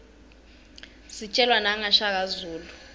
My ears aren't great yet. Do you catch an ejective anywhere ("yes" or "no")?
yes